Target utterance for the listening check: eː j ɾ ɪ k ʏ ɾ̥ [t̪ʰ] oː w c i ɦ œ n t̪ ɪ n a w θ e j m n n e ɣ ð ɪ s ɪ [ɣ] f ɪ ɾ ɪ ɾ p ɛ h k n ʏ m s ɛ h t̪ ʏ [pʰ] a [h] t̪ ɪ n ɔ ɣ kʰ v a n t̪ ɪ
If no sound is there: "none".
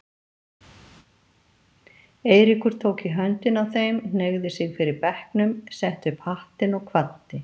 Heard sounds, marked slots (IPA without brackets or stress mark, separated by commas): t̪ʰ, ɣ, pʰ, h